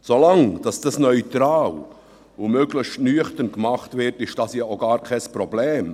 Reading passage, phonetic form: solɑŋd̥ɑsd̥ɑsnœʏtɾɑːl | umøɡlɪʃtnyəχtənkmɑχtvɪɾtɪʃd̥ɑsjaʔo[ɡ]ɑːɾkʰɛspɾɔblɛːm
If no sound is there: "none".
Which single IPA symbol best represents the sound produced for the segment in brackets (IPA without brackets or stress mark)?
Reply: ɡ